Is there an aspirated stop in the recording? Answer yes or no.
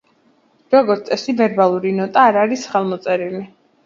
no